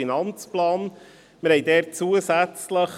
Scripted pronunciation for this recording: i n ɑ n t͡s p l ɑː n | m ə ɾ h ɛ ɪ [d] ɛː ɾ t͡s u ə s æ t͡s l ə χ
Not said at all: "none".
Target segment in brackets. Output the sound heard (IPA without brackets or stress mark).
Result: d